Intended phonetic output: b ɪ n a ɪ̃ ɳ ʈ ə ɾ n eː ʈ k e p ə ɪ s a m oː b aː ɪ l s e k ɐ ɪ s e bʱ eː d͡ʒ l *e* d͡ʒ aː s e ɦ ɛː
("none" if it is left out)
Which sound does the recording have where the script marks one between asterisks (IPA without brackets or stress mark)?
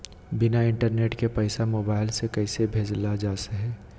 a